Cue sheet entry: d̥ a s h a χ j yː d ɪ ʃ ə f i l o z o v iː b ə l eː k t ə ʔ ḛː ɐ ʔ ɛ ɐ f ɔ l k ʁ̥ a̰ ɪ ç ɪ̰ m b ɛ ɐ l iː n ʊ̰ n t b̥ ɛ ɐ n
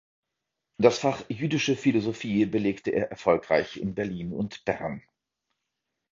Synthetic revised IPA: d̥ a s f a χ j yː d ɪ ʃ ə f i l o z o f iː b ə l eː k t ə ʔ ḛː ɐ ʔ ɛ ɐ f ɔ l k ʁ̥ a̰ ɪ ç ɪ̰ n b ɛ ɐ l iː n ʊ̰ n t b̥ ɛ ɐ n